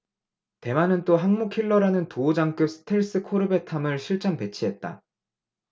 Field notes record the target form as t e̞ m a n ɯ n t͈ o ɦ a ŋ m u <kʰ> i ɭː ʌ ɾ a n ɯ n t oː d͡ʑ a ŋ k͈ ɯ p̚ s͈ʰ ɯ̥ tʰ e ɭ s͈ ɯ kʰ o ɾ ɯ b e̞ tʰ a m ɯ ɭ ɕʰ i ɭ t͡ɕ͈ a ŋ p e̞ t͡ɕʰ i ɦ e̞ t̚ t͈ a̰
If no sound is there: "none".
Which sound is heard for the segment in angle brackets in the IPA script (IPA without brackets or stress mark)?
kʰ